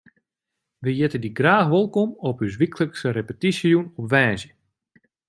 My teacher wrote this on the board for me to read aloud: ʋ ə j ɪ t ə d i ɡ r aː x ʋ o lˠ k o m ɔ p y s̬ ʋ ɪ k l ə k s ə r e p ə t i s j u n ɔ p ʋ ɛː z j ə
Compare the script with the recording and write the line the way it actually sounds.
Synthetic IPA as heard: ʋ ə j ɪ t ə d i ɡ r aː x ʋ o lˠ k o m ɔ p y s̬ ʋ i k l ə k s ə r e p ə t i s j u n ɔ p ʋ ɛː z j ə